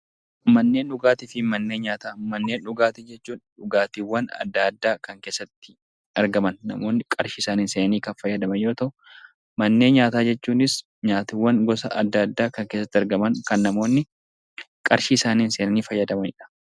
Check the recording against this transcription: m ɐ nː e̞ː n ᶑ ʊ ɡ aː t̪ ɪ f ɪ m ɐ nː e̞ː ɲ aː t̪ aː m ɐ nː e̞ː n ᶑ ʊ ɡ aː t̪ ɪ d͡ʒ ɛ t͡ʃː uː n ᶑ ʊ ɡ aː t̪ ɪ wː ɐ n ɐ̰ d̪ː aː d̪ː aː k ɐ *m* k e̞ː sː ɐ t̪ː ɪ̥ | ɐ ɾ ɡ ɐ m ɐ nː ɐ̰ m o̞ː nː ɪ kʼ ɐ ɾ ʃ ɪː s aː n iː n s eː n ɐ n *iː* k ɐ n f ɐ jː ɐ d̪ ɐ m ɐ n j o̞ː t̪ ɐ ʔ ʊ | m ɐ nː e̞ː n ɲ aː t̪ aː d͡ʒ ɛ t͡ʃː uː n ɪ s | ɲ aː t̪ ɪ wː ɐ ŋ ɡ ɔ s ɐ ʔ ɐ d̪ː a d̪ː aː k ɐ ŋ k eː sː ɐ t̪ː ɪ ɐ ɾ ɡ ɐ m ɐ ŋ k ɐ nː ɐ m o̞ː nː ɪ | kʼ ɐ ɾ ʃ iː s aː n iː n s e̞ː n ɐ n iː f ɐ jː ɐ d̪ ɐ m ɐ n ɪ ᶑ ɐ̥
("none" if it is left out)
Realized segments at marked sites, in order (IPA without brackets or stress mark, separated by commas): ŋ, iː